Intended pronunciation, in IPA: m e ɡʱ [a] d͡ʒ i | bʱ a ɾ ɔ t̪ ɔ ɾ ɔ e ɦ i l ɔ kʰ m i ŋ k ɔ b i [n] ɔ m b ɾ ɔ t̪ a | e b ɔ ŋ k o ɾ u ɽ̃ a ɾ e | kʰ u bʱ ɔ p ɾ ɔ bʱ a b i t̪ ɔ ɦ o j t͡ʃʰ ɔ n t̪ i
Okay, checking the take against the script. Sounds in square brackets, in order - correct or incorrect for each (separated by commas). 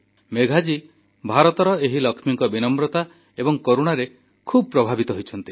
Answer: correct, correct